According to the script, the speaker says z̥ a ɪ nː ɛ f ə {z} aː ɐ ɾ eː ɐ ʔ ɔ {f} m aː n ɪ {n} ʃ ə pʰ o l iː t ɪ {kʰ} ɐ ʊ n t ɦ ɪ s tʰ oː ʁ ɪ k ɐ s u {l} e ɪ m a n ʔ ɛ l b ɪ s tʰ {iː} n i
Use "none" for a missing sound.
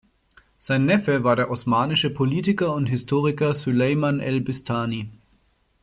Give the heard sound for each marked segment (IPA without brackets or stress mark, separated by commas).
v, s, none, k, l, aː